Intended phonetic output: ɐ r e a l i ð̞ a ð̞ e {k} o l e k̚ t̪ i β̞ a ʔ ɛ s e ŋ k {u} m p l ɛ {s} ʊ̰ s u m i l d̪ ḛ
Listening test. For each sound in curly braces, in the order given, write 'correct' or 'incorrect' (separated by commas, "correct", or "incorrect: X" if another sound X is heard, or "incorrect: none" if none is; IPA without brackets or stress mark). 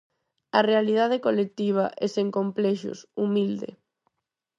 correct, incorrect: o, incorrect: ʃ